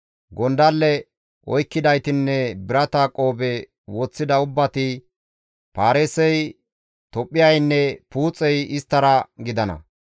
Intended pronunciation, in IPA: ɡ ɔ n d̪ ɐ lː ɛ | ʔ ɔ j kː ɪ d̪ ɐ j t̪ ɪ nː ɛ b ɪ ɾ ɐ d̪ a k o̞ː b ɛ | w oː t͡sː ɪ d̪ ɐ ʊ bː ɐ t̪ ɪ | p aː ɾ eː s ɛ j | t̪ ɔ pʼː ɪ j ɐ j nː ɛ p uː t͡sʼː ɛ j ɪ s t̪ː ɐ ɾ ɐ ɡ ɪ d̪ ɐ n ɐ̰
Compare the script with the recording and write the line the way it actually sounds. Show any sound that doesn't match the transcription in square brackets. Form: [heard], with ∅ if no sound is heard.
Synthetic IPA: ɡ ɔ n d̪ ɐ lː ɛ | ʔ ɔ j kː ɪ d̪ ɐ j t̪ ɪ nː ɛ b ɪ ɾ ɐ [t̪] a [kʼ] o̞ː b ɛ | w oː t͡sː ɪ d̪ ɐ ʊ bː ɐ t̪ ɪ | p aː ɾ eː s ɛ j | t̪ ɔ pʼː ɪ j ɐ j nː ɛ p uː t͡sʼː ɛ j ɪ s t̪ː ɐ ɾ ɐ ɡ ɪ d̪ ɐ n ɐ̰